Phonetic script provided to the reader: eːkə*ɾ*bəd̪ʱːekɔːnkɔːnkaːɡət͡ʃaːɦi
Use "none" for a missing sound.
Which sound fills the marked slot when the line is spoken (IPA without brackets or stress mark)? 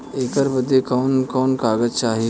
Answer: ɾ